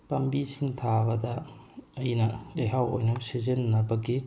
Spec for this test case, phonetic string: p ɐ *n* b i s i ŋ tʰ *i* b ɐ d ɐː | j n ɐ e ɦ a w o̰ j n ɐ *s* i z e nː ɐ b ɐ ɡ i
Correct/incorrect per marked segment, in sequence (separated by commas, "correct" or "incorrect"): incorrect, incorrect, correct